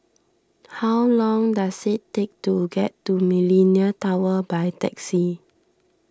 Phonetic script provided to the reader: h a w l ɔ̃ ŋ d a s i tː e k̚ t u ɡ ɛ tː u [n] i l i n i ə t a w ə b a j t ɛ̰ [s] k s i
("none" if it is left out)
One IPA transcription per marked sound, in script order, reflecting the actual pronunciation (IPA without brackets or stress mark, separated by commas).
m, none